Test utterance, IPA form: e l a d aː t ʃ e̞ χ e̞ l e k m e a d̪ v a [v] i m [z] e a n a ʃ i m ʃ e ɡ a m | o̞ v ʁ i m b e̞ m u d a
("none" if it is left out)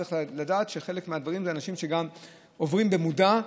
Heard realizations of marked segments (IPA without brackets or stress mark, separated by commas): ʁ, z